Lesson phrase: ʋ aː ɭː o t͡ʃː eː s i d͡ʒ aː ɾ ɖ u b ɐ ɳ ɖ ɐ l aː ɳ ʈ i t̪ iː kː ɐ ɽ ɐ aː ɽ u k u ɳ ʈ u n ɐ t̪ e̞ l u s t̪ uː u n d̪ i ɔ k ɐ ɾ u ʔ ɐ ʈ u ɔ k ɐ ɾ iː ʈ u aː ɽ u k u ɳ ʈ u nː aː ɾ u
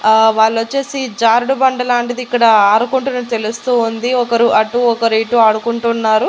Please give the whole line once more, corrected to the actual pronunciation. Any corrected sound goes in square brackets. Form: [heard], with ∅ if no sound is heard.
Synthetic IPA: ʋ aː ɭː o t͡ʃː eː s i d͡ʒ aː ɾ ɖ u b ɐ ɳ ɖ ɐ l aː ɳ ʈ i [d̪] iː kː ɐ ɽ ɐ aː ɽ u k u ɳ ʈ u n ɐ t̪ e̞ l u s t̪ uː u n d̪ i ɔ k ɐ ɾ u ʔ ɐ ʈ u ɔ k ɐ ɾ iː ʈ u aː ɽ u k u ɳ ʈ u nː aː ɾ u